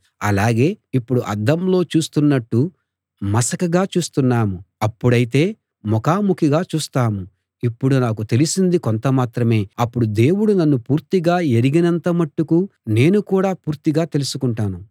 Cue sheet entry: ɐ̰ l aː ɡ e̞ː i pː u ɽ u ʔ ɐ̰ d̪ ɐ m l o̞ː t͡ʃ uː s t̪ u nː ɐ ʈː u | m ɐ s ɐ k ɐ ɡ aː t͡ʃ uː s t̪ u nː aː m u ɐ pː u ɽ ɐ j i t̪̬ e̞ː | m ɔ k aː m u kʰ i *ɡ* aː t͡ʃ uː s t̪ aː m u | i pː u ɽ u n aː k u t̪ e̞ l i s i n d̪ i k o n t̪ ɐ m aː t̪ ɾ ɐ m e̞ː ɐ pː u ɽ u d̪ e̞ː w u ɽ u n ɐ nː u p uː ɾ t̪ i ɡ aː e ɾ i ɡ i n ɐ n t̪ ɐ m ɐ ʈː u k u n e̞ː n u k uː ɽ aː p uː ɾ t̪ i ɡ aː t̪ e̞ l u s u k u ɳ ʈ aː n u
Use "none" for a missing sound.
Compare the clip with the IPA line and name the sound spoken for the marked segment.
ɡ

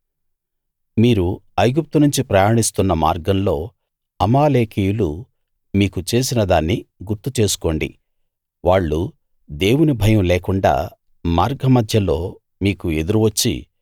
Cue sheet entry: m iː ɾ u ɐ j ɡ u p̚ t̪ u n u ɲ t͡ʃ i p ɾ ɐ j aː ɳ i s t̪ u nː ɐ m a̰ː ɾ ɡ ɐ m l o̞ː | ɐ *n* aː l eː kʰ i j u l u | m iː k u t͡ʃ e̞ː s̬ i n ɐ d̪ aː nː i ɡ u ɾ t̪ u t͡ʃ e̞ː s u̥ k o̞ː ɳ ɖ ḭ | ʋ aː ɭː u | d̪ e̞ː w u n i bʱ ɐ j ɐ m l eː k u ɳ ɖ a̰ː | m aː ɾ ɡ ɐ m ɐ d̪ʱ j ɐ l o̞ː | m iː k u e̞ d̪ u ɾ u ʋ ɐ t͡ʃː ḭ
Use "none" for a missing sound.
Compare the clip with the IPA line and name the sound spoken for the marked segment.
m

